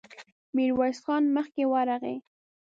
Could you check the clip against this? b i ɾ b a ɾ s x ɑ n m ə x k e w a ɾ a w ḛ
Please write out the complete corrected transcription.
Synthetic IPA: m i ɾ w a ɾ s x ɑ n m ə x k e w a ɾ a ɣ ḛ